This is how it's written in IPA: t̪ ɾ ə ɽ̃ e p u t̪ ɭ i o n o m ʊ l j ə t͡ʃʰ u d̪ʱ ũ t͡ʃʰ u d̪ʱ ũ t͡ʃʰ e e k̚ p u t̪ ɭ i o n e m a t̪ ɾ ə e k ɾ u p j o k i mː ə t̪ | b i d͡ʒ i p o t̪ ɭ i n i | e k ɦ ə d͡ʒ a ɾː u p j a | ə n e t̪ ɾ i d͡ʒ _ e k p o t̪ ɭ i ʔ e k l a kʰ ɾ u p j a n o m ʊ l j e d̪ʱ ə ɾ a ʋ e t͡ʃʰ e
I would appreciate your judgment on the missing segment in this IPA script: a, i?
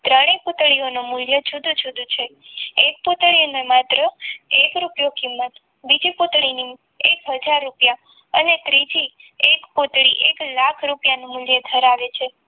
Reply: i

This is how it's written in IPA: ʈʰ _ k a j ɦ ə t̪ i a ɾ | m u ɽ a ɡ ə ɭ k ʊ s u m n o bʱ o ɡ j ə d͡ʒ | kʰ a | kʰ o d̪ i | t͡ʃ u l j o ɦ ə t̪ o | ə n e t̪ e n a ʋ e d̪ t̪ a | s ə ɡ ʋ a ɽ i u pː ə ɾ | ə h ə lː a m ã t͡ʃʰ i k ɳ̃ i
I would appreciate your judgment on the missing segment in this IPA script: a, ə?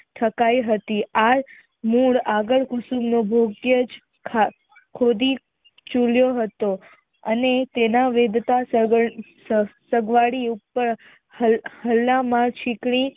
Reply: ə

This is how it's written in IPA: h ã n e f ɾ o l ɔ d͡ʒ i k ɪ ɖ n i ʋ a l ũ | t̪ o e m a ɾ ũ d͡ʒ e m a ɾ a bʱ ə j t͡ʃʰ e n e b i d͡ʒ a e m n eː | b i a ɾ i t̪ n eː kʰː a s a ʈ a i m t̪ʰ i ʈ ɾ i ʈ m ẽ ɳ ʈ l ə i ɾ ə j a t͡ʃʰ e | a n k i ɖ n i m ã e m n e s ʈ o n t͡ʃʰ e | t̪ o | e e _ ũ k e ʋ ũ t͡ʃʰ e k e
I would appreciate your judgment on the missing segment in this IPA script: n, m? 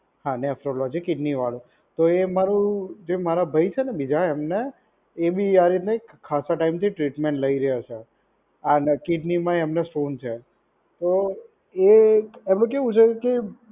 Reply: m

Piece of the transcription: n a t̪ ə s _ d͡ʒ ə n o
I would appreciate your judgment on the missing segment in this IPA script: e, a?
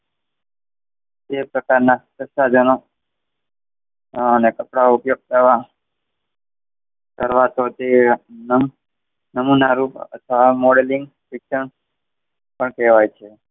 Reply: a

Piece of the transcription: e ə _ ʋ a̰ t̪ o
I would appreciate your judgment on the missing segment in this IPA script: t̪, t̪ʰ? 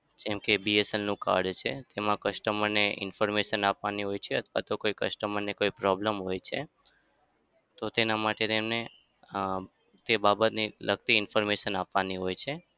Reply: t̪ʰ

